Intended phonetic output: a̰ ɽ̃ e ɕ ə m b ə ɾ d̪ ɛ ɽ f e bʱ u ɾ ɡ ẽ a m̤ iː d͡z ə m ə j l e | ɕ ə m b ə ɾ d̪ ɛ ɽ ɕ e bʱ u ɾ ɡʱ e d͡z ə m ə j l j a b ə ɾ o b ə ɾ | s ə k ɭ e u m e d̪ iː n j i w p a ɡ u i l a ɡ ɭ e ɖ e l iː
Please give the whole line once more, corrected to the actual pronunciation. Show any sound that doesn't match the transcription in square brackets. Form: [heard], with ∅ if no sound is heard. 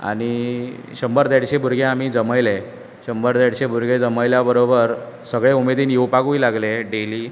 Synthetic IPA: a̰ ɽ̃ [i] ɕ ə m b ə ɾ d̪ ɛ ɽ [ɕ] e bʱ u ɾ ɡ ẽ a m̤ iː d͡z ə m ə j l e | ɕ ə m b ə ɾ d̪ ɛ ɽ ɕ e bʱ u ɾ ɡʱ e d͡z ə m ə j l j a b ə ɾ o b ə ɾ | s ə [ɡ] ɭ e u m e d̪ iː n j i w p a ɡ u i l a ɡ [l] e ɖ e l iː